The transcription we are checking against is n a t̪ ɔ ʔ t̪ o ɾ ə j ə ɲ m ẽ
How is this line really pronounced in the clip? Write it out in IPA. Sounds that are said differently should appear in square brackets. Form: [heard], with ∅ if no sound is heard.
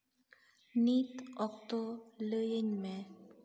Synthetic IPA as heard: n [i] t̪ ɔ [k] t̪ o [l] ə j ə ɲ m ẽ